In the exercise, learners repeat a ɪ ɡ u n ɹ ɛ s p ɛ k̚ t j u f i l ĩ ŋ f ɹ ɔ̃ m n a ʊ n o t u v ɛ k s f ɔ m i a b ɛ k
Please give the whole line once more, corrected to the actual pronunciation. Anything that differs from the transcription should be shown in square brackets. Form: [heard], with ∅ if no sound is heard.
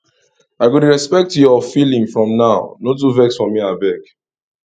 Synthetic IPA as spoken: a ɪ ɡ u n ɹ ɛ s p ɛ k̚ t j [ɔ] f i l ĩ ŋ f ɹ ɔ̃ m n a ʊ n o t u v ɛ k s f ɔ m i a b ɛ k